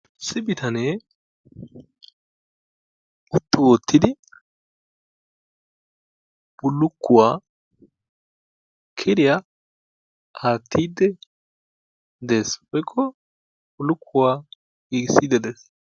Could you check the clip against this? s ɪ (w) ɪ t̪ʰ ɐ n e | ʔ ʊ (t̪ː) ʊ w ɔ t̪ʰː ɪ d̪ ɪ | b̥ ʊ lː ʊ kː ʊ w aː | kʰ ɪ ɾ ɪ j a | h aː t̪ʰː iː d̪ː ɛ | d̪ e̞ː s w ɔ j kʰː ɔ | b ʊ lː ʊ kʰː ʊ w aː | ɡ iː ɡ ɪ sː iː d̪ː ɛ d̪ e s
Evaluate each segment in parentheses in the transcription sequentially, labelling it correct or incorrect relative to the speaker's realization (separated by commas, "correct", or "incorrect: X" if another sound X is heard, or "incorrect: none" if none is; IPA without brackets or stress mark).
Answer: incorrect: b, correct